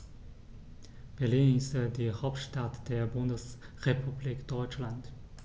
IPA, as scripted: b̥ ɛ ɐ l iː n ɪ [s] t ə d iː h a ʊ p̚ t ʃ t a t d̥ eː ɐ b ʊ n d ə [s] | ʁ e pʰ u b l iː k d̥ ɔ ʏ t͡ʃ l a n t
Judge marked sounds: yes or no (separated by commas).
yes, yes